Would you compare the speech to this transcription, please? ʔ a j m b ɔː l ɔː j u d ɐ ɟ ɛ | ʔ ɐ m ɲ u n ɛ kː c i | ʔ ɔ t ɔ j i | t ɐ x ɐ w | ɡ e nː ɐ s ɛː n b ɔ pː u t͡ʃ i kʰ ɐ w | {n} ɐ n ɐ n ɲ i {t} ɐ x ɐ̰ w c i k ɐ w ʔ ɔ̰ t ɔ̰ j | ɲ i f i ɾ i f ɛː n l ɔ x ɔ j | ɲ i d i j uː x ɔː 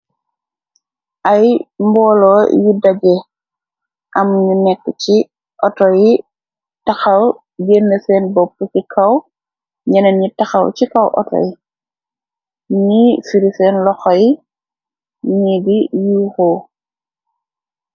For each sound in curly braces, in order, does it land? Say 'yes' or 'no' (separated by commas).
no, yes